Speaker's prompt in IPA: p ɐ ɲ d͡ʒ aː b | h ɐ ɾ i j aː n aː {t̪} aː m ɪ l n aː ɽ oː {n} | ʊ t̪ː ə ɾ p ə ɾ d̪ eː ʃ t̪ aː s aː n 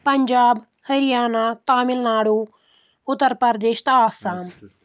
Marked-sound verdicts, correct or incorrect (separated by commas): correct, incorrect